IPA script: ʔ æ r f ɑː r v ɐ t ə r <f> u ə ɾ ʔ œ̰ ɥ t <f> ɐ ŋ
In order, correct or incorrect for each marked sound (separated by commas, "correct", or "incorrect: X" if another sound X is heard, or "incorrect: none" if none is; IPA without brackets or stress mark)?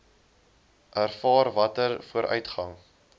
correct, incorrect: χ